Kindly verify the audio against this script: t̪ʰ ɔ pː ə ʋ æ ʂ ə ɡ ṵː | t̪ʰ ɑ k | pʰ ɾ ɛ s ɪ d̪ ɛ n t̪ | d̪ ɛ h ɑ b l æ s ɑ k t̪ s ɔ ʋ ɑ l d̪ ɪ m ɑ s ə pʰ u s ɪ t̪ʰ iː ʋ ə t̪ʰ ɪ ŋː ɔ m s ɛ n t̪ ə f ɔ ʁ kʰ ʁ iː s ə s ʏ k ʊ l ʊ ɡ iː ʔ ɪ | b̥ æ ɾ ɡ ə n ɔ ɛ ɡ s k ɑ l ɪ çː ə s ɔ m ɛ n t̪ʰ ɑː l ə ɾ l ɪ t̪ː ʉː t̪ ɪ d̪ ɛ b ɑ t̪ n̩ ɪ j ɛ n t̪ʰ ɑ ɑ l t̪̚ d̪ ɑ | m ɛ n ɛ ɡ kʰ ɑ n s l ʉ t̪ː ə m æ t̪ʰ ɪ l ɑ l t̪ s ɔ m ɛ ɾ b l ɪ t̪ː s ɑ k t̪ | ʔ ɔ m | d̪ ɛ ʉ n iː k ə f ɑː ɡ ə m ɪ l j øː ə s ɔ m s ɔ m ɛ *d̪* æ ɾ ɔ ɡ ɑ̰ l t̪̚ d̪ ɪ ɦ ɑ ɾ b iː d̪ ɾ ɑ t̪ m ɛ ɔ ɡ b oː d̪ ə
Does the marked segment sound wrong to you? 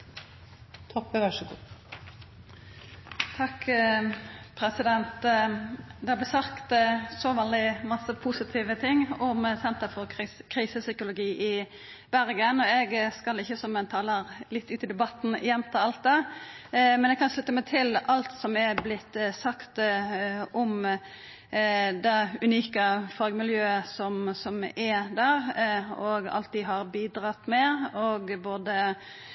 no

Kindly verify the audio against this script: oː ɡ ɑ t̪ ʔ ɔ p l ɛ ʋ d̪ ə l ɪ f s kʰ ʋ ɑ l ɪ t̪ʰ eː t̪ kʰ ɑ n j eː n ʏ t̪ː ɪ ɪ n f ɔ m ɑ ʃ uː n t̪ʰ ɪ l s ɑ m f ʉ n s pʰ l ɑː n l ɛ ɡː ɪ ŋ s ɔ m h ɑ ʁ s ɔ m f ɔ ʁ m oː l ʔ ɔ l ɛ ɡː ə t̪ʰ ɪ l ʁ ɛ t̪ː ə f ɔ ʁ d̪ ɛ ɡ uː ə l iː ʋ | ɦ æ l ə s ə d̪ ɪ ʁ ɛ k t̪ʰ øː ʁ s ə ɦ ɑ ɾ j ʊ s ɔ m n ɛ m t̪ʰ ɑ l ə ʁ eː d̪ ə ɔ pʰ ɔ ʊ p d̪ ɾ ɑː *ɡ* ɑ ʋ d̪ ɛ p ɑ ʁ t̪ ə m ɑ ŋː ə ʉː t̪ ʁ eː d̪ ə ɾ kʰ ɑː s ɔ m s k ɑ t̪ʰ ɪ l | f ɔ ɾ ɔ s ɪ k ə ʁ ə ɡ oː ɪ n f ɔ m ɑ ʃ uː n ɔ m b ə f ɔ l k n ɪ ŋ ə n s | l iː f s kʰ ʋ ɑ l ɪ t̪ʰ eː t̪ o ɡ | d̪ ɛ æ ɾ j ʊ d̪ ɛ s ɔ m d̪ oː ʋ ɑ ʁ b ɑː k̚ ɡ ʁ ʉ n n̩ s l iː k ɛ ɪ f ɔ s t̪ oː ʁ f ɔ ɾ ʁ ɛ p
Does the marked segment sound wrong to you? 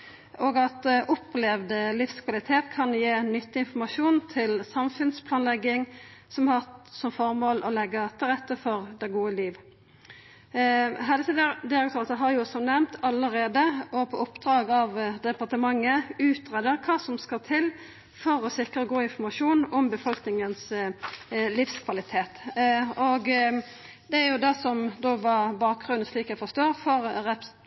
no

